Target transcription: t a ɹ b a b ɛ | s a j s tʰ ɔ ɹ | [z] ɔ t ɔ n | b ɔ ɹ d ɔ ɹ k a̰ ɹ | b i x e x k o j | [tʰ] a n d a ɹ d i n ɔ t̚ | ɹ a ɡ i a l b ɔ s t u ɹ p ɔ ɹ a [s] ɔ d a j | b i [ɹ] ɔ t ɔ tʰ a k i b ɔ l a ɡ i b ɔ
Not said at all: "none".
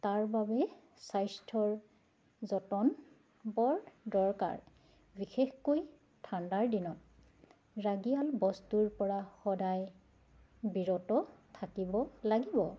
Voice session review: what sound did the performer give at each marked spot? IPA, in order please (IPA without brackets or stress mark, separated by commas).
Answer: z, tʰ, x, ɹ